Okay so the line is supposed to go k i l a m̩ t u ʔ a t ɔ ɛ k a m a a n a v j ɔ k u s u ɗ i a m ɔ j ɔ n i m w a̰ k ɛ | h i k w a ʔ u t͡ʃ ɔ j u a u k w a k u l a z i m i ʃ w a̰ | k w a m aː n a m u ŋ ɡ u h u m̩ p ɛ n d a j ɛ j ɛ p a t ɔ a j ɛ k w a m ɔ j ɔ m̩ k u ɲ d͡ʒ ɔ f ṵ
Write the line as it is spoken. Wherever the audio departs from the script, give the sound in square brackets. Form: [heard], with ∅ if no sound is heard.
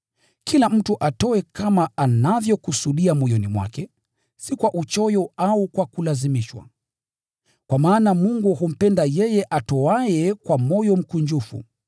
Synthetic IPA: k i l a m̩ t u ʔ a t ɔ ɛ k a m a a n a v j ɔ k u s u ɗ i a m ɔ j ɔ n i m w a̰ k ɛ | [s] i k w a ʔ u t͡ʃ ɔ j [ɔ] a u k w a k u l a z i m i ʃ w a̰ | k w a m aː n a m u ŋ ɡ u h u m̩ p ɛ n d a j ɛ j ɛ [ʔ] a t ɔ a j ɛ k w a m ɔ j ɔ m̩ k u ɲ d͡ʒ [u] f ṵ